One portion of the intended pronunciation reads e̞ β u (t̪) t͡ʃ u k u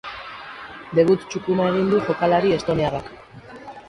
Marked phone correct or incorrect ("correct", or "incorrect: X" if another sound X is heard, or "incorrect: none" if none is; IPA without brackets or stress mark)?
correct